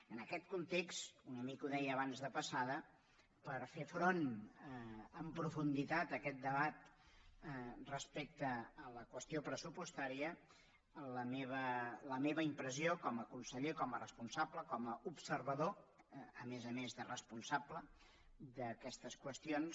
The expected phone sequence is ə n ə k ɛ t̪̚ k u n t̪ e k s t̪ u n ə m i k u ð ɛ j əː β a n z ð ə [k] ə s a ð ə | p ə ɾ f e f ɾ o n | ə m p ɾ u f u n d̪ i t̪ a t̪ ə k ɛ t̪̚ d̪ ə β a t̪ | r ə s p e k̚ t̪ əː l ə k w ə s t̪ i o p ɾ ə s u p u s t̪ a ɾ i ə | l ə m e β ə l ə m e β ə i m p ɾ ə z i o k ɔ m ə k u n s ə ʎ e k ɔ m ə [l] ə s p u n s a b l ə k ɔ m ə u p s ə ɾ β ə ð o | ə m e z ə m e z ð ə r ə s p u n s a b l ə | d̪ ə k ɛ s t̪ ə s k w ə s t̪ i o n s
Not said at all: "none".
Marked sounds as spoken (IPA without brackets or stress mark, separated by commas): p, r